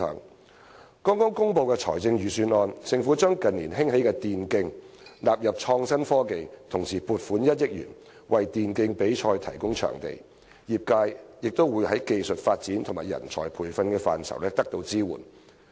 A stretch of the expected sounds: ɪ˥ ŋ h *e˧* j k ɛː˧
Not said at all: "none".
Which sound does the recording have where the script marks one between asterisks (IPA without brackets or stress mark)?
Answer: e˨˥